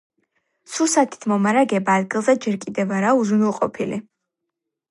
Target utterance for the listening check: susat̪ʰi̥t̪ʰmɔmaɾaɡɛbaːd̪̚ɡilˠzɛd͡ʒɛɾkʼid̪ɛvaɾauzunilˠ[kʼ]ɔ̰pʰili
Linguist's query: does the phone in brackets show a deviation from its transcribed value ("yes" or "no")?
yes